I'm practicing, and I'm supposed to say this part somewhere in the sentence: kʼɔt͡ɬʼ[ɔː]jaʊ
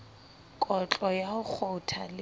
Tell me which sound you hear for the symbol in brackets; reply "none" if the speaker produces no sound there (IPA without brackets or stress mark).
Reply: ɔ